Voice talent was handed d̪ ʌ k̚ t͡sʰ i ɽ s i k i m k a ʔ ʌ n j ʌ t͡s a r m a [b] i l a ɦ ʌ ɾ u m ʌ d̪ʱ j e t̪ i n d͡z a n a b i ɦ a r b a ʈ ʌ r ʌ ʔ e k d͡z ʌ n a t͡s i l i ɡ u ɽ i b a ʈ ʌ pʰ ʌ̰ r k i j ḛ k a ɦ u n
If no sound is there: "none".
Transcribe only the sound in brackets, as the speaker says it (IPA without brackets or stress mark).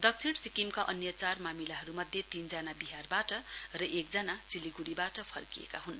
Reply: m